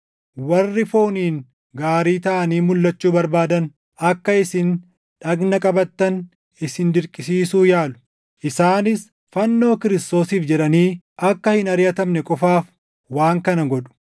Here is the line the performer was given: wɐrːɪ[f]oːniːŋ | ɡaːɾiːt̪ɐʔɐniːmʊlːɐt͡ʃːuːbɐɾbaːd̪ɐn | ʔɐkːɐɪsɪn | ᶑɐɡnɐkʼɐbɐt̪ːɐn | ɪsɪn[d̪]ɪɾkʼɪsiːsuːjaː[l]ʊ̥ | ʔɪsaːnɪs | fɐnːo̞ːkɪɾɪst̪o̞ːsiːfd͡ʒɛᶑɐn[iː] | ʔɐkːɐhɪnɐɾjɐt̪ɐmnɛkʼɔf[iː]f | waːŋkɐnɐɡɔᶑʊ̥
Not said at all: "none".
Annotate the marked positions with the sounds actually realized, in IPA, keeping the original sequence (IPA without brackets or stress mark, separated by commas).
f, d̪, l, iː, aː